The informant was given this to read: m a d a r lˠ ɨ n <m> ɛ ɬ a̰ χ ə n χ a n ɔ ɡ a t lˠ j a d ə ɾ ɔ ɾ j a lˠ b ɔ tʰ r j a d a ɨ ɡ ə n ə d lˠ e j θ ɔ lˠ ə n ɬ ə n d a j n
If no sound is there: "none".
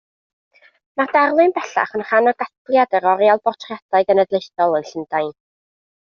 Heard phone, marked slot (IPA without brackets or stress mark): b